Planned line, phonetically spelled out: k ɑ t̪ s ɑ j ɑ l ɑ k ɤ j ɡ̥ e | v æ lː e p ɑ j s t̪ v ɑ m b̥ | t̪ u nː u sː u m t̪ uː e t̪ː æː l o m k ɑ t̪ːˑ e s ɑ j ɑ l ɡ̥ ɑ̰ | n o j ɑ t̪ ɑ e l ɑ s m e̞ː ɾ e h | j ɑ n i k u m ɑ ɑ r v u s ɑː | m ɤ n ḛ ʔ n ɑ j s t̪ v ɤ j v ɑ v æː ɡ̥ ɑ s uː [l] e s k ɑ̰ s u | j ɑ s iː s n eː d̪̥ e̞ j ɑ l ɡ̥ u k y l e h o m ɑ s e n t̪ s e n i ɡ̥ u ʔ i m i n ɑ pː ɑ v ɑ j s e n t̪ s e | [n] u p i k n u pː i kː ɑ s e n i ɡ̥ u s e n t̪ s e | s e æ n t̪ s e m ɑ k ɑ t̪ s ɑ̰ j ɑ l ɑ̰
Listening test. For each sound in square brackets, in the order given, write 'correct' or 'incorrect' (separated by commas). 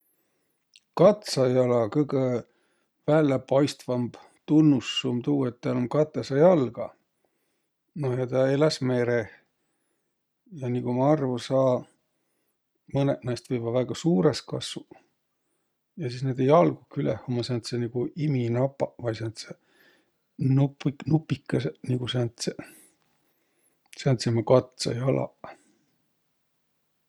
incorrect, correct